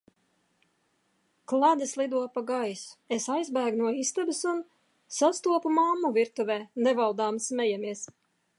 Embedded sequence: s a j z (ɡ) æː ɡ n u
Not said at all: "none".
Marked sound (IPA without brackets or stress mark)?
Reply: b